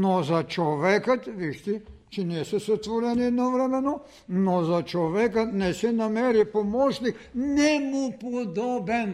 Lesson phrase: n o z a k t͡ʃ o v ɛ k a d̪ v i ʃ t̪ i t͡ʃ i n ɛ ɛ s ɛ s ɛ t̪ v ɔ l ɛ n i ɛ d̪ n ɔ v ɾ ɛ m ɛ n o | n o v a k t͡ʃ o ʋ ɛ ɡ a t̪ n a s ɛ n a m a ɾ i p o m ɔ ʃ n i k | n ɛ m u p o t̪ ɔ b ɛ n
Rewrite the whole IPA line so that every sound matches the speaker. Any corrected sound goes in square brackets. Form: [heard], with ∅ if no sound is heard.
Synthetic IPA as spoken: n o z a [∅] t͡ʃ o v ɛ k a [t̪] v i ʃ t̪ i t͡ʃ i n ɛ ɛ s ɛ s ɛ t̪ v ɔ [ɾ] ɛ n i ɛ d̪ n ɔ v ɾ ɛ m ɛ n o | n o [z] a [∅] t͡ʃ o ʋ ɛ [k] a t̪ n [ɛ] s ɛ n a m [ɛ] ɾ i p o m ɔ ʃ n i k | n ɛ m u p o [d̪] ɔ b ɛ n